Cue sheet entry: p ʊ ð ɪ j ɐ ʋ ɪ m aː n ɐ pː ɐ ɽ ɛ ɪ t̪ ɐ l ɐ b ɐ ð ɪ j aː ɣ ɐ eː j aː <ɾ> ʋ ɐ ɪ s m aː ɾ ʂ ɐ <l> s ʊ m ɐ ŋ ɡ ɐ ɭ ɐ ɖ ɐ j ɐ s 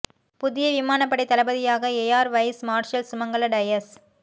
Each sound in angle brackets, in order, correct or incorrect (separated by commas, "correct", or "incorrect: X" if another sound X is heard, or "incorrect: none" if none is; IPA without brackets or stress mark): correct, correct